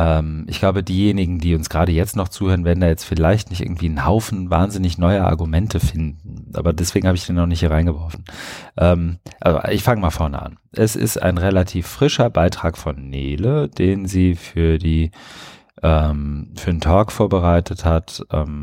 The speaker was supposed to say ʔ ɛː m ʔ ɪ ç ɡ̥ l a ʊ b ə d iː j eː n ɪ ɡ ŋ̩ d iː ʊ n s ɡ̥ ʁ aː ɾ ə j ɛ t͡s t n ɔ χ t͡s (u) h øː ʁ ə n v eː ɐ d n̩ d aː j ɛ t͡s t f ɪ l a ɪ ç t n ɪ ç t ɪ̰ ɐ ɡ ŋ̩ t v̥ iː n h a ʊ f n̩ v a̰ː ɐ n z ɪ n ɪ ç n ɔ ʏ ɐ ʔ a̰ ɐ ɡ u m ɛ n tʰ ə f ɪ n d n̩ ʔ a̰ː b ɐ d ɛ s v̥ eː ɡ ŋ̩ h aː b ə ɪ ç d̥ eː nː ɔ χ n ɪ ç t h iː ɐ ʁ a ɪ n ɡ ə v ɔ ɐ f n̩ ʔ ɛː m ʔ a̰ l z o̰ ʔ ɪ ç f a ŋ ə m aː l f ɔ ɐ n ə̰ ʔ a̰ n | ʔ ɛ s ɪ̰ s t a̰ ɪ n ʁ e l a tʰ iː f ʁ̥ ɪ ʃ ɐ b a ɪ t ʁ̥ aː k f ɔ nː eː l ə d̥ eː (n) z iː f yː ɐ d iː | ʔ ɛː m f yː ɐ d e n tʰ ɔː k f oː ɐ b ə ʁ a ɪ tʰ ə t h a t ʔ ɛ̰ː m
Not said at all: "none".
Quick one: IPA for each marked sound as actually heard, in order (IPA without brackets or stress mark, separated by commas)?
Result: uː, n